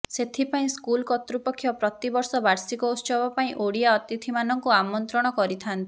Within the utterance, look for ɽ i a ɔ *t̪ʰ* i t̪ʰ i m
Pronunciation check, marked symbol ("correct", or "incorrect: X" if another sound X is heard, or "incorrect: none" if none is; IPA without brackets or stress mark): incorrect: t̪